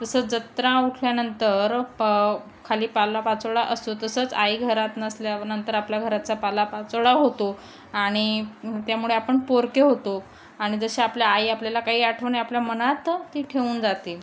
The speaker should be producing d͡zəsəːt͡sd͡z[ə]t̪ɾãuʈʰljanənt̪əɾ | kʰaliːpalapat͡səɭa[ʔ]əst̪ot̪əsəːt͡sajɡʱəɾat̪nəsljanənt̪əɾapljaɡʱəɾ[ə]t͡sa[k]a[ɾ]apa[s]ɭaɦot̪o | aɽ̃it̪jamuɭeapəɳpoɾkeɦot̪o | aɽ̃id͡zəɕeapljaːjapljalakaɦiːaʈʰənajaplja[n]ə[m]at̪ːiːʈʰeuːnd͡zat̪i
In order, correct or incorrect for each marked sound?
correct, correct, incorrect, incorrect, incorrect, incorrect, incorrect, incorrect

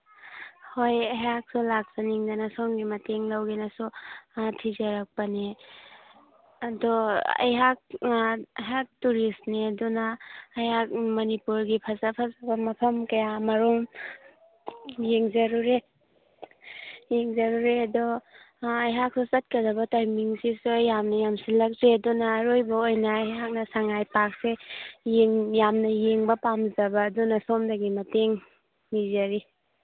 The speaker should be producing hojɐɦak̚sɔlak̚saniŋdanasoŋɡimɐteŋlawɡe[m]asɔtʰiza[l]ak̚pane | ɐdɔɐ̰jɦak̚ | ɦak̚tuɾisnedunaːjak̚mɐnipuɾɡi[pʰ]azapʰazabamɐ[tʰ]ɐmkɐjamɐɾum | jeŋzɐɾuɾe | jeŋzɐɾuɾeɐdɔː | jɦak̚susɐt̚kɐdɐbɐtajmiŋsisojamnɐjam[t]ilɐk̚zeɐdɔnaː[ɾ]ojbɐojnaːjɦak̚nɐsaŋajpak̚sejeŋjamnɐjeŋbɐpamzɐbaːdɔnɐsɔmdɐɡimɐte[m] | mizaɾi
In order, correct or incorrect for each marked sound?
incorrect, incorrect, correct, incorrect, incorrect, correct, incorrect

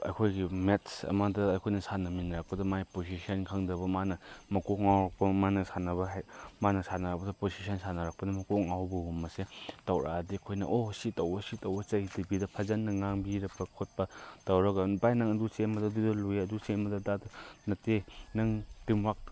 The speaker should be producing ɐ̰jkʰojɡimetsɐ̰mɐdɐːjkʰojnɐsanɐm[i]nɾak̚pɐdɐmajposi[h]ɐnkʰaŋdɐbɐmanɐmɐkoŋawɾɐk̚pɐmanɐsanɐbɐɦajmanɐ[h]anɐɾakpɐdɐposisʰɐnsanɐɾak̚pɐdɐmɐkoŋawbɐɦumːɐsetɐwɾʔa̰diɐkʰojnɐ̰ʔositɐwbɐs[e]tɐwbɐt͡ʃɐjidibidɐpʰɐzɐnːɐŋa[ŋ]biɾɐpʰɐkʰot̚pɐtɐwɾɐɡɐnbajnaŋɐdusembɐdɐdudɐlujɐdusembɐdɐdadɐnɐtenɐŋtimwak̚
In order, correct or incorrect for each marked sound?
correct, incorrect, incorrect, incorrect, correct

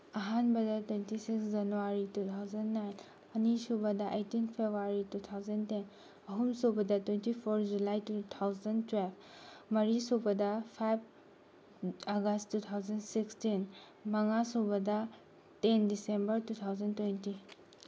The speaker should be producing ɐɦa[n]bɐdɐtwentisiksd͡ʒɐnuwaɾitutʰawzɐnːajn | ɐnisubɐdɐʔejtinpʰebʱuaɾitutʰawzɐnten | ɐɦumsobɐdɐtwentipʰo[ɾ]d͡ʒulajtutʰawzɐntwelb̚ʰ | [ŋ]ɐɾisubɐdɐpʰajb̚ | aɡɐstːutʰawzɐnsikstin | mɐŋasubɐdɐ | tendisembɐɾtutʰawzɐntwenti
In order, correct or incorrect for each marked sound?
correct, correct, incorrect

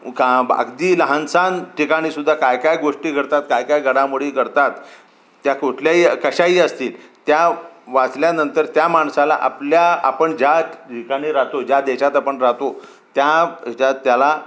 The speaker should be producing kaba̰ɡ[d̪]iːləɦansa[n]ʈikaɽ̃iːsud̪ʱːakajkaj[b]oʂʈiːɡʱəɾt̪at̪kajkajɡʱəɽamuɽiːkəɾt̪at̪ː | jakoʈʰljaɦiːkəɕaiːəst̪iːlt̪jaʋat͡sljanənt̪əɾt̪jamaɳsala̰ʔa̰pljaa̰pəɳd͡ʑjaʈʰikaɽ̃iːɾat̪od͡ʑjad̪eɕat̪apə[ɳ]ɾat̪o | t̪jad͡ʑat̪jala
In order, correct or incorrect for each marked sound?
correct, correct, incorrect, correct

